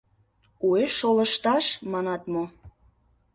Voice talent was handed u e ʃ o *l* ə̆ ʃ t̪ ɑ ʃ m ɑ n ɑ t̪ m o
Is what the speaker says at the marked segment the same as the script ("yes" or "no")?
yes